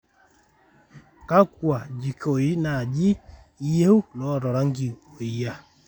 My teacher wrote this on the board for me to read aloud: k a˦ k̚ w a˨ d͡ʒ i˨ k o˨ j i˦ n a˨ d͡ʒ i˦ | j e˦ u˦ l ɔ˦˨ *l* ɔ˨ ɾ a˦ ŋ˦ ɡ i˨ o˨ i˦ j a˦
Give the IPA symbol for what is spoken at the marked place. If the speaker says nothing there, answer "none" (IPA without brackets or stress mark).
ɾ